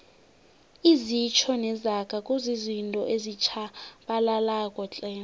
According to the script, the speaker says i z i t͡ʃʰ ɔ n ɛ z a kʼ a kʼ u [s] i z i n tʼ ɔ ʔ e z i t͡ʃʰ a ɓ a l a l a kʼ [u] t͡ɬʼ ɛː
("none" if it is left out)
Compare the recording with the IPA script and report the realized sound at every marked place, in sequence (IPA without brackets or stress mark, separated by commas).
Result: z, ɔ